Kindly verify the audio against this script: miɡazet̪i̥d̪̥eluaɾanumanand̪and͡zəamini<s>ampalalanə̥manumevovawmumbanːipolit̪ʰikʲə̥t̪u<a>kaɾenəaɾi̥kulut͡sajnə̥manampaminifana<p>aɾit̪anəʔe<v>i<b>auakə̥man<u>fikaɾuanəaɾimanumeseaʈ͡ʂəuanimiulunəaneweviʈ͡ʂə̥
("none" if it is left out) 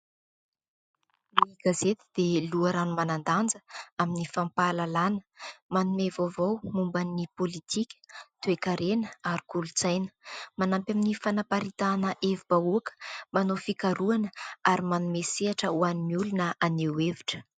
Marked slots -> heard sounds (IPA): f, e, p, v, b, o

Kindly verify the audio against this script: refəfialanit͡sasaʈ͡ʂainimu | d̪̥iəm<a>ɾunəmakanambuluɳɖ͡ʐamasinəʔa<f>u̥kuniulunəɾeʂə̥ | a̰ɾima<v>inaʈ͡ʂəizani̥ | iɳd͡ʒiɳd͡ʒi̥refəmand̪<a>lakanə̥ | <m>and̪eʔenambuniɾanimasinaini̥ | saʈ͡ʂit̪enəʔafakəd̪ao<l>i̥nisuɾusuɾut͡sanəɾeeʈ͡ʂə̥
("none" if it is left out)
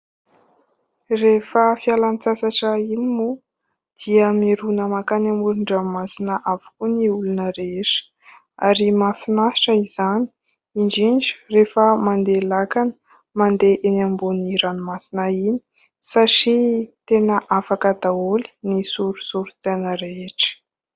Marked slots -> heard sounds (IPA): i, v, f, e, m, l

